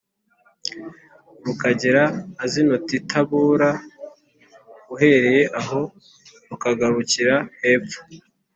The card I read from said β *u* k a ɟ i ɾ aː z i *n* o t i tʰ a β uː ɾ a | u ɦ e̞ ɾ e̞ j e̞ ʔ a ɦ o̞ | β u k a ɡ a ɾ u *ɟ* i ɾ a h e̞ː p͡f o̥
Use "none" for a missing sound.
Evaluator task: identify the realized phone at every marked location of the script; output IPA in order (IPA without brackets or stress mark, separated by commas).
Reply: u, n, c